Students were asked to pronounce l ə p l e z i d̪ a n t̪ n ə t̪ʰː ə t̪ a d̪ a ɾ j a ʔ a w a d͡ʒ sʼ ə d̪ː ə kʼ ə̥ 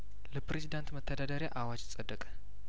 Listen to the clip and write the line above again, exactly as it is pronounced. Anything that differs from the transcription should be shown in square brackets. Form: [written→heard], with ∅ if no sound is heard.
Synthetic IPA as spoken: l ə p [l→ɾ] e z i d̪ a n t̪ [n→m] ə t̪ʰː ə [t̪→d̪] a d̪ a ɾ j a ʔ a w a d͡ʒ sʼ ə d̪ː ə kʼ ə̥